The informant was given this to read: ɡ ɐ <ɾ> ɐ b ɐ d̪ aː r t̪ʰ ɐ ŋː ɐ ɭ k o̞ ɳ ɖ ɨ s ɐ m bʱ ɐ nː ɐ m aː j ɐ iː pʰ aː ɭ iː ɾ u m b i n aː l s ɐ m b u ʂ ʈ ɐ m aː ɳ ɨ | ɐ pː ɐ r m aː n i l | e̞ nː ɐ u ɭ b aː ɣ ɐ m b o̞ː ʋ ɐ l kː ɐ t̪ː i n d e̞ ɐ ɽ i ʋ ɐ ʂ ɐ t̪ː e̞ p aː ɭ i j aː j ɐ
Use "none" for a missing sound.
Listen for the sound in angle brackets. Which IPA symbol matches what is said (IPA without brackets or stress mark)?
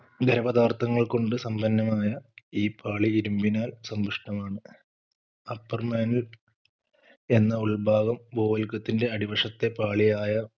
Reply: ɾ